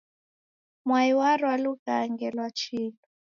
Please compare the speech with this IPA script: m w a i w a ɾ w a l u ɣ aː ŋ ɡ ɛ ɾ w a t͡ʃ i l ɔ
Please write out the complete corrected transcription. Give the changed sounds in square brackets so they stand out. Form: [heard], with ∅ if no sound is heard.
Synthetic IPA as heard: m w a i w a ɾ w a l u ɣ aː ŋ ɡ ɛ [l] w a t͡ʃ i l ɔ